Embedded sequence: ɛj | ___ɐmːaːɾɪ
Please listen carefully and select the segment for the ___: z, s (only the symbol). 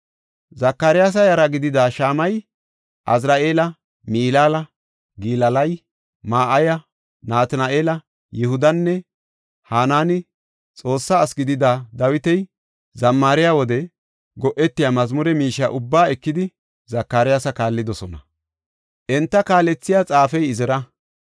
z